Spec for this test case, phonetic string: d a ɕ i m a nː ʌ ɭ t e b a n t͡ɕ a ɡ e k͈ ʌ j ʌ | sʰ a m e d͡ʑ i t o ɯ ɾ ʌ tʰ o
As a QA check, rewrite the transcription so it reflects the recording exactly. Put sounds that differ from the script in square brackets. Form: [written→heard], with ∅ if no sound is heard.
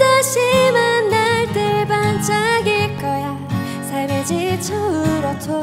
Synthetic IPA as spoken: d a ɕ i m a nː [ʌ→a] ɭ t e b a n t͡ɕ a ɡ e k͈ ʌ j [ʌ→a] | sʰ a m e d͡ʑ i [t→t͡ɕʰ] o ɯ ɾ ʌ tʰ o